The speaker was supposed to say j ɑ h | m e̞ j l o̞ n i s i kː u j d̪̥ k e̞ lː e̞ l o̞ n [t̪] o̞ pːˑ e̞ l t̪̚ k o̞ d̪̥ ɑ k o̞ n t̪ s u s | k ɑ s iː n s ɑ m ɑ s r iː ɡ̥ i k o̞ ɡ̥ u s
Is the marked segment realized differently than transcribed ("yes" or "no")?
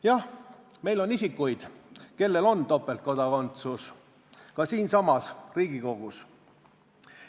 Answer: no